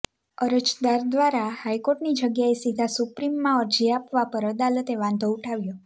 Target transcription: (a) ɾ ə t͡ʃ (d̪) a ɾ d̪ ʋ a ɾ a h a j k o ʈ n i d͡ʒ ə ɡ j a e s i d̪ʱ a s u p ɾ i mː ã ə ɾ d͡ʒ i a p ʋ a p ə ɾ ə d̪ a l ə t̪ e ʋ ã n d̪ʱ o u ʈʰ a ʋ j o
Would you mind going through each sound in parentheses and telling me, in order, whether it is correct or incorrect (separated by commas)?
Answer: incorrect, correct